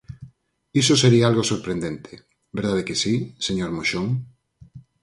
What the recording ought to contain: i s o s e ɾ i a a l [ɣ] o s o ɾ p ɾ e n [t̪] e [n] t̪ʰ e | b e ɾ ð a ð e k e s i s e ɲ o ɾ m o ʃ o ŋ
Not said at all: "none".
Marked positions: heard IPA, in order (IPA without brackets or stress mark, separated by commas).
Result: ɣ, d̪, n